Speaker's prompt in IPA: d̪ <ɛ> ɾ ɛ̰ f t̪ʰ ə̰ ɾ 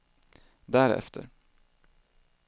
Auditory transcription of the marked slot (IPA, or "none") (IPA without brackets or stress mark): æ